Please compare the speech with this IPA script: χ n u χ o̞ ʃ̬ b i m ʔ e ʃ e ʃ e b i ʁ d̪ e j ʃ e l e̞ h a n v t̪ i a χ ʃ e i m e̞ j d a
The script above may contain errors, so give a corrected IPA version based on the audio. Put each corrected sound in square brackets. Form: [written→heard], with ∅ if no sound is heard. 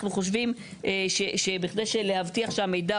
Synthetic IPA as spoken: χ n u χ o̞ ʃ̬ [b→v] i m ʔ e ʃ e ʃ e b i [ʁ→χ] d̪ e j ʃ e l e̞ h a [n→∅] v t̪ i a χ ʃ e [i→a] m e̞ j d a